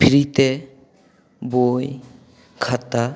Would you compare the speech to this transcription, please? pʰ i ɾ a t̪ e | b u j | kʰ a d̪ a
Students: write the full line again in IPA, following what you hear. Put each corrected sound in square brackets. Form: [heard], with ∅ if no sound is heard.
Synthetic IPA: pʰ i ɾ [i] t̪ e | b [o] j | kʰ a [t̪] a